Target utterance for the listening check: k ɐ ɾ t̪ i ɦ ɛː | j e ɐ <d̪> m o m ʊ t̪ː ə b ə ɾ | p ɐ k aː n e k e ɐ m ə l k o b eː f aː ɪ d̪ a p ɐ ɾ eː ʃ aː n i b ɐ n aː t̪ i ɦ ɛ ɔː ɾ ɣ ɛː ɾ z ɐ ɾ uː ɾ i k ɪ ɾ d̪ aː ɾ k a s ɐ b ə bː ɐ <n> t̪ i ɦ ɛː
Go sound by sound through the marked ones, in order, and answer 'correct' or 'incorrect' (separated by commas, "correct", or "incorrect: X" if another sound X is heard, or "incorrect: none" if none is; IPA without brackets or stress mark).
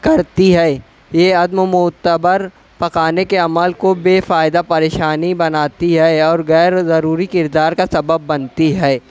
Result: correct, correct